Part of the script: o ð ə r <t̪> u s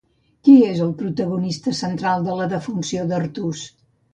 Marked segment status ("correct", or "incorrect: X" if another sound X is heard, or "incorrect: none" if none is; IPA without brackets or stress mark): correct